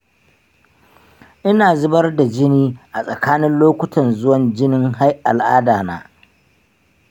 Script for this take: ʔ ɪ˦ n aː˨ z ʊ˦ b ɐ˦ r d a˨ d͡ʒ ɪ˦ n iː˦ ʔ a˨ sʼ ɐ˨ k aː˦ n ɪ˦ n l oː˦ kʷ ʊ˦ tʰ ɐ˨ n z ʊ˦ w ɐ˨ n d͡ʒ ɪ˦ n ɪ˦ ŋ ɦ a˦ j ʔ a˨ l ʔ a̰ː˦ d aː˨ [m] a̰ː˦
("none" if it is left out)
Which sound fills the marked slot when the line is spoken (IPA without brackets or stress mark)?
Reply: n